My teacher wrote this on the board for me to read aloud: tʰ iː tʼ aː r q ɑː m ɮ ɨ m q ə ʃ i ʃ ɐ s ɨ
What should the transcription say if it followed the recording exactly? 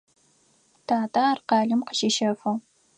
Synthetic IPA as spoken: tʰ aː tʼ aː r q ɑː ɮ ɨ m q ə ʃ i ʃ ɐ f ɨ